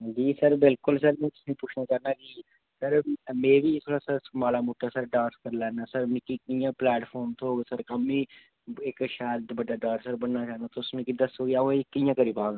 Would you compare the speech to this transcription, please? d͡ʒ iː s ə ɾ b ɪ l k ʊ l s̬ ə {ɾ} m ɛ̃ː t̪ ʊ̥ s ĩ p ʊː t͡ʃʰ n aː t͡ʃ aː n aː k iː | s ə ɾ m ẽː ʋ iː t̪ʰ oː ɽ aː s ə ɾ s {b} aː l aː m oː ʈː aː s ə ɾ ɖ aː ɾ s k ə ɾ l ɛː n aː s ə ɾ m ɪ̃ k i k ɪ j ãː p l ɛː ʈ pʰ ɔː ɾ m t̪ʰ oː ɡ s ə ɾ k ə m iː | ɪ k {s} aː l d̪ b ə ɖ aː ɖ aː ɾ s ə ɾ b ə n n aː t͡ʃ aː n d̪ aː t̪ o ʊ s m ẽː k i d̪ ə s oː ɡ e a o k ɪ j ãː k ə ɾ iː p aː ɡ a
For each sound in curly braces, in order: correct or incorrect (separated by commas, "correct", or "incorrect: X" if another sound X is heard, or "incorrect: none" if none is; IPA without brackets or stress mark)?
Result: correct, incorrect: m, incorrect: ʃ